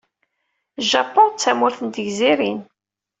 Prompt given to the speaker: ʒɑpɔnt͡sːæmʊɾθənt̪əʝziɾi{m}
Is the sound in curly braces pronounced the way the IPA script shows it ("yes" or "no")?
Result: no